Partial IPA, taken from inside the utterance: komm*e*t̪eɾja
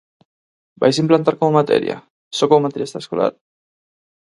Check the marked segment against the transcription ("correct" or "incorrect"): incorrect